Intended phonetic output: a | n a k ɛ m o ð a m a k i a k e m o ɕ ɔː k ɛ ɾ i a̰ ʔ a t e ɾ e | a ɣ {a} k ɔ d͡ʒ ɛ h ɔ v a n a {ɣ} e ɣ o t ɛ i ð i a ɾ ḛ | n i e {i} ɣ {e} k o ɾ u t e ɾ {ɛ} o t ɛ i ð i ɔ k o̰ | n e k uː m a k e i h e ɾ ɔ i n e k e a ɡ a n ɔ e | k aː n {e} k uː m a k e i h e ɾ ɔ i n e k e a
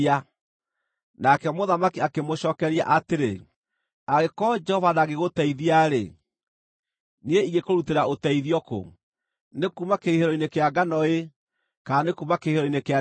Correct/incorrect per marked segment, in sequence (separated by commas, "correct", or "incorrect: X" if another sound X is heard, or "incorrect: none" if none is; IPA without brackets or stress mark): incorrect: e, correct, correct, correct, incorrect: a, correct